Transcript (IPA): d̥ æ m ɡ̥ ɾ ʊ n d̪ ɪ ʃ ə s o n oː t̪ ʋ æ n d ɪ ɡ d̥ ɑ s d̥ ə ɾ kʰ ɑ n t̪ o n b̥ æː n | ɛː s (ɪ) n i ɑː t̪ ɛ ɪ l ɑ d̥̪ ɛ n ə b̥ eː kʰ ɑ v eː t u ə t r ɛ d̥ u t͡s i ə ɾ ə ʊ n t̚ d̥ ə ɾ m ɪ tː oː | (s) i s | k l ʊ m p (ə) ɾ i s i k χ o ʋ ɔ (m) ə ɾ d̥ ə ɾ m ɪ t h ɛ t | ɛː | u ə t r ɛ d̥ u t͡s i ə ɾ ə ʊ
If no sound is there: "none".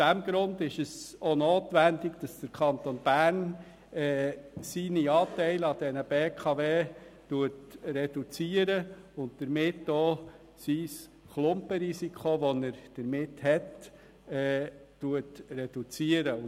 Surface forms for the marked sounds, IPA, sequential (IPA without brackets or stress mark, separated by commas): i, s, ə, n